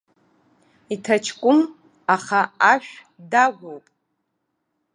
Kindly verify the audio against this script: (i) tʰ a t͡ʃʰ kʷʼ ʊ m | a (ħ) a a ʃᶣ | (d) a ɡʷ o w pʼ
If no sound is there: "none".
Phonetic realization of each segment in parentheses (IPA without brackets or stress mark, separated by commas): i, χ, d